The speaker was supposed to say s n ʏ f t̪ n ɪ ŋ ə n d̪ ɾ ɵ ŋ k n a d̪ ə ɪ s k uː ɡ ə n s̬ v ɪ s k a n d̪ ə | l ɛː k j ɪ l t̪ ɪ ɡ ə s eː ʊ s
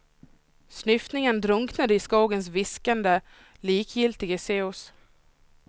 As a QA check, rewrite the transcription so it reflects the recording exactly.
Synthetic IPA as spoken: s n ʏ f t̪ n ɪ ŋ ə n d̪ ɾ ɵ ŋ k n a d̪ ə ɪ s k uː ɡ ə n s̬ v ɪ s k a n d̪ ə | l iː k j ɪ l t̪ ɪ ɡ ə s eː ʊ s